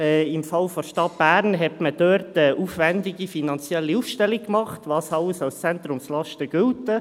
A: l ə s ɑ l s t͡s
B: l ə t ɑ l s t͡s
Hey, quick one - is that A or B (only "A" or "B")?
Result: A